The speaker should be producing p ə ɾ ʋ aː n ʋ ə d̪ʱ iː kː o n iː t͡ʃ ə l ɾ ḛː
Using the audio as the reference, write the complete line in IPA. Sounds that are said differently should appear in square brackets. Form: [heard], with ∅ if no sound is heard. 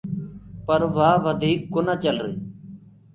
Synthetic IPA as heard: p ə ɾ ʋ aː [∅] ʋ ə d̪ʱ iː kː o n [aː] t͡ʃ ə l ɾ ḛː